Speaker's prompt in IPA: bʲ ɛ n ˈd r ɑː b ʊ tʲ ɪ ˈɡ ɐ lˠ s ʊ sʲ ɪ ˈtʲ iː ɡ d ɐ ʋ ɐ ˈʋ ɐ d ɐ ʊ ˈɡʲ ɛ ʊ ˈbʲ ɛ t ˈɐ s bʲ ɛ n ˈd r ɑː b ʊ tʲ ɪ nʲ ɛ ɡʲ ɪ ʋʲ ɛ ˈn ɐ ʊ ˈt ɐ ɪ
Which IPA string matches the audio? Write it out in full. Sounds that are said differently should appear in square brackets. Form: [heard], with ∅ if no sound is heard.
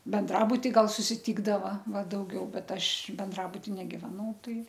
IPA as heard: bʲ ɛ n ˈd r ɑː b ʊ tʲ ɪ ˈɡ ɐ lˠ s ʊ sʲ ɪ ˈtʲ iː ɡ d ɐ ʋ ɐ ˈʋ ɐ d ɐ ʊ ˈɡʲ ɛ ʊ ˈbʲ ɛ t ˈɐ [ʃ] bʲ ɛ n ˈd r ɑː b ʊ tʲ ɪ nʲ ɛ ɡʲ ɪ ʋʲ ɛ ˈn ɐ ʊ ˈt ɐ ɪ